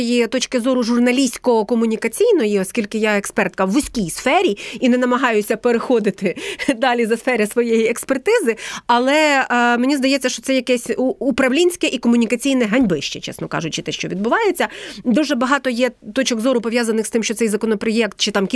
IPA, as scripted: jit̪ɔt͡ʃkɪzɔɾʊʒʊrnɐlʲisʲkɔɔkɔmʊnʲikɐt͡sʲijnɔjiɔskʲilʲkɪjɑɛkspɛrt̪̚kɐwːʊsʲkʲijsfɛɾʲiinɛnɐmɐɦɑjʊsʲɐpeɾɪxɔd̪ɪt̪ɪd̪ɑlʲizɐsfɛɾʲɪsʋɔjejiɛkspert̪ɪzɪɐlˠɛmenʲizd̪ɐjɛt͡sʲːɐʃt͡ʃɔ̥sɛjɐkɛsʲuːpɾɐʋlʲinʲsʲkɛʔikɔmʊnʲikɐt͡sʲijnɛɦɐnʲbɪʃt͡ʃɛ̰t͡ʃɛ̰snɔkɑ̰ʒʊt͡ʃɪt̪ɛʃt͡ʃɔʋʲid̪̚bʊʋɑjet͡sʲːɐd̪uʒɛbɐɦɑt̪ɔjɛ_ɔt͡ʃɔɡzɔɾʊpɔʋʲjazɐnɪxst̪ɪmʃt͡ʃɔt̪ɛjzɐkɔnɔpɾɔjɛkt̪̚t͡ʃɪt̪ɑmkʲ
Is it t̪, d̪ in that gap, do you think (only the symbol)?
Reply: t̪